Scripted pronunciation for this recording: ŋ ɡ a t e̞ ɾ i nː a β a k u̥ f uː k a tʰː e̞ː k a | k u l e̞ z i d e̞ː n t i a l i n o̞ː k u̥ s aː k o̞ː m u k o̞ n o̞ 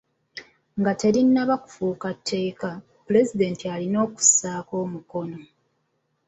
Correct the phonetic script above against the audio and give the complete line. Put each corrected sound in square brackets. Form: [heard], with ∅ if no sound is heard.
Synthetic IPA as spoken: ŋ ɡ a t e̞ ɾ i nː a β a k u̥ f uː k a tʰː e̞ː k a | [p] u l e̞ z i d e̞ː n t i a l i n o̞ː k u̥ s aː k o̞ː m u k o̞ n o̞